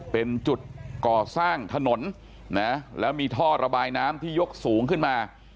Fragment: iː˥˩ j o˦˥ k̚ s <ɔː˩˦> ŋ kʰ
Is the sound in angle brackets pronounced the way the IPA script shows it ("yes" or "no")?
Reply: no